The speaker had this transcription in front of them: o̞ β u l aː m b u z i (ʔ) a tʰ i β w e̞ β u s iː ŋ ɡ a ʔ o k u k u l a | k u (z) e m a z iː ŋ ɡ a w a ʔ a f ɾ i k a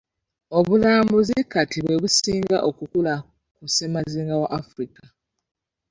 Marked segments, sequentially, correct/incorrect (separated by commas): incorrect, incorrect